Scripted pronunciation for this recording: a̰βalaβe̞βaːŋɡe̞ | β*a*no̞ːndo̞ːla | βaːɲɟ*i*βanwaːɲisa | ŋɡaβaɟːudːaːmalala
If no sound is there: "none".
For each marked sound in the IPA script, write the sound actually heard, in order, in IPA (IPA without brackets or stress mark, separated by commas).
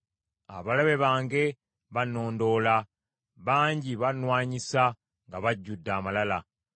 a, i